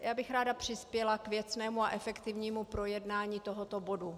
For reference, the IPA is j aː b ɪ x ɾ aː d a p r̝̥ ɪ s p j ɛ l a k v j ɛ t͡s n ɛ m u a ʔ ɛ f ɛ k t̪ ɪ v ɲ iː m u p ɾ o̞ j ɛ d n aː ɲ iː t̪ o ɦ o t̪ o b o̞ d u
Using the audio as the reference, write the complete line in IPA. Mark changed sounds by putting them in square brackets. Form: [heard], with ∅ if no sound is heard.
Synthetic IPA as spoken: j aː b ɪ x ɾ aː d a p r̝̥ ɪ s p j ɛ l a k v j ɛ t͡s n [ɛː] m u a ʔ ɛ f ɛ k t̪ ɪ v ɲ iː m u p ɾ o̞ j ɛ d n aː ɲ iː t̪ o ɦ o t̪ o b o̞ d u